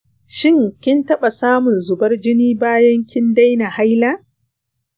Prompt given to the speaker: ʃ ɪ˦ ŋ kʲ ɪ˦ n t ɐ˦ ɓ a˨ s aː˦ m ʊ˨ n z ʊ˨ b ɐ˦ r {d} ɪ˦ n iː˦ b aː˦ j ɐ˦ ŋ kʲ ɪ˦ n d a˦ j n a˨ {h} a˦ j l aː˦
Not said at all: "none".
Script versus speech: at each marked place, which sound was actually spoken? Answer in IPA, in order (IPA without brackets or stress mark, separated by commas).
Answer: d͡ʒ, h